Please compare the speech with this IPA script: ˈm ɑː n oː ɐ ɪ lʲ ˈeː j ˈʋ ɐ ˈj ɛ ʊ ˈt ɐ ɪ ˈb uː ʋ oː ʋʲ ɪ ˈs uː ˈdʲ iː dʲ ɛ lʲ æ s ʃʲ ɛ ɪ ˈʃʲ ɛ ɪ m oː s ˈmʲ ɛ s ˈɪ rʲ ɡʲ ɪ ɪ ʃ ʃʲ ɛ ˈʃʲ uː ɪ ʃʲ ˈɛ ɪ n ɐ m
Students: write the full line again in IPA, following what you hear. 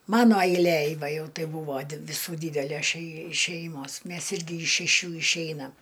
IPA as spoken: ˈm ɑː n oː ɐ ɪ lʲ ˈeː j ˈʋ ɐ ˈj ɛ ʊ ˈt ɐ ɪ ˈb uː ʋ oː ʋʲ ɪ ˈs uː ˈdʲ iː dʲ ɛ lʲ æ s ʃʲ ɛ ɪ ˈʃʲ ɛ ɪ m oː s ˈmʲ ɛ s ˈɪ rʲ ɡʲ ɪ ɪ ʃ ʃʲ ɛ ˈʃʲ uː ɪ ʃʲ ˈɛ ɪ n ɐ m